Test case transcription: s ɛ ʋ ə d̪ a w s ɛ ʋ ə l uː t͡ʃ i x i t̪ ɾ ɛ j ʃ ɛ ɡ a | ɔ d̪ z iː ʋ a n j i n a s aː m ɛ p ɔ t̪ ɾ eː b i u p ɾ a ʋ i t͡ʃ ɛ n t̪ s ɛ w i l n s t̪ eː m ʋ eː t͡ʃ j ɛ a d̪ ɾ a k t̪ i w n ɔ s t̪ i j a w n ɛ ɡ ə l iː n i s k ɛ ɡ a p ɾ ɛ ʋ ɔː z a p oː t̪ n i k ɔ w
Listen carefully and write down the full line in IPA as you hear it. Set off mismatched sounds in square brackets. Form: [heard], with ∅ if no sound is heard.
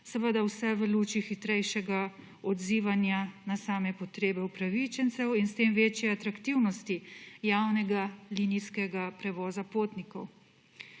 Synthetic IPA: s ɛ ʋ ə d̪ a w s ɛ ʋ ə l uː t͡ʃ i x i t̪ ɾ ɛ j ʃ ɛ ɡ a | ɔ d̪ z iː ʋ a n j [a] n a s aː m ɛ p ɔ t̪ ɾ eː b [ɛ] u p ɾ a ʋ i t͡ʃ ɛ n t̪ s ɛ w i [∅] n s t̪ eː m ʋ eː t͡ʃ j ɛ a [t̪] ɾ a k t̪ i w n ɔ s t̪ i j a w n ɛ ɡ [a] l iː n i s k ɛ ɡ a p ɾ ɛ ʋ ɔː z a p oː t̪ n i k ɔ w